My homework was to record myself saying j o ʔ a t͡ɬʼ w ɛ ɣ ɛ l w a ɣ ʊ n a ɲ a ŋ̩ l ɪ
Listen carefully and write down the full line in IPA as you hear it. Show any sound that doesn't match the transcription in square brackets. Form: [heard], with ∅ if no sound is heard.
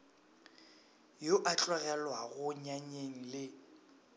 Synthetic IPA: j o ʔ a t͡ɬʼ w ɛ ɣ ɛ l w a ɣ ʊ [ɲ] a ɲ [e] ŋ̩ l ɪ